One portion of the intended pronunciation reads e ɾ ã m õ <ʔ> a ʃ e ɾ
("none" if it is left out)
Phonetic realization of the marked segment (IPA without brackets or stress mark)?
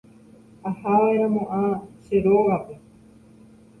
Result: ʔ